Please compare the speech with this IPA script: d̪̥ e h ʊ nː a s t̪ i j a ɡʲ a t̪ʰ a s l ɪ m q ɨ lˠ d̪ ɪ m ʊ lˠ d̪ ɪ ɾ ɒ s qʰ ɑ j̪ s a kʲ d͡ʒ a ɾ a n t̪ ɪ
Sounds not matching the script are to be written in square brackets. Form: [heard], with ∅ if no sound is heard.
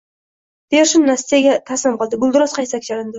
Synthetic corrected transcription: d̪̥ e [ʃ] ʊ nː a s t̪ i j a ɡʲ a t̪ʰ a s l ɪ m q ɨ lˠ d̪ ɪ [b] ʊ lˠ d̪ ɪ ɾ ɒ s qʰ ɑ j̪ s a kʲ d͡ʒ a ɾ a n [d̪] ɪ